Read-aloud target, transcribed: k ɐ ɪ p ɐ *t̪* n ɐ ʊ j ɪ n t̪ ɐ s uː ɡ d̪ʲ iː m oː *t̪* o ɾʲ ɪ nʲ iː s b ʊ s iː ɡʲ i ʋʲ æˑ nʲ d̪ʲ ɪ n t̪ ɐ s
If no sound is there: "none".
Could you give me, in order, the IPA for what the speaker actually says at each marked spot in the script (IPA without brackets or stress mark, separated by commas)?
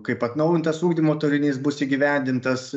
t̪, t̪